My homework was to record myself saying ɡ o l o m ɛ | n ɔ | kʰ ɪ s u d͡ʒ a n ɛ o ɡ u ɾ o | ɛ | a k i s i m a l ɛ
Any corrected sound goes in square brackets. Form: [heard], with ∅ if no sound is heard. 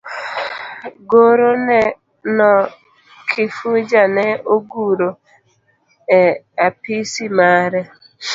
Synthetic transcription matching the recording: ɡ o [ɾ] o [n] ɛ | n ɔ | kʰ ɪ [f] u d͡ʒ a n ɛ o ɡ u ɾ o | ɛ | a [p] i s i m a [ɾ] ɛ